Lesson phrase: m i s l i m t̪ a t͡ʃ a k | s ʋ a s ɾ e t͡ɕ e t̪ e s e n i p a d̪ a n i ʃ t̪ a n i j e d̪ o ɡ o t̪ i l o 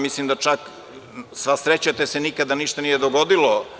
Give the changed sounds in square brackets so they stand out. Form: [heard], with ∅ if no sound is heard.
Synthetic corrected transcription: m i s l i m [d̪] a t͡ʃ a k | s ʋ a s ɾ e t͡ɕ [a] t̪ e s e n i [k] a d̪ a n i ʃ t̪ a n i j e d̪ o ɡ o [d̪] i l o